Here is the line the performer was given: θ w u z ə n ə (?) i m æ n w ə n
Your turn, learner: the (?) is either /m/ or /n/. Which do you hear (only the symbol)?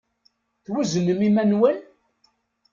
m